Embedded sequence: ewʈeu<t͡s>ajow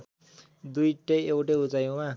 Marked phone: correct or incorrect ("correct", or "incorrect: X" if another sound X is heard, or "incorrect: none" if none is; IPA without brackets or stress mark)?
correct